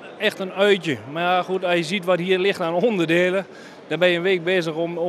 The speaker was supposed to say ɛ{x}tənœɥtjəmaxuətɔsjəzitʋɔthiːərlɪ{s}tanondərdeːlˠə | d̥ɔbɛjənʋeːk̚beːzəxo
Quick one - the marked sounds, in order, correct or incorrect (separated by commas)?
correct, incorrect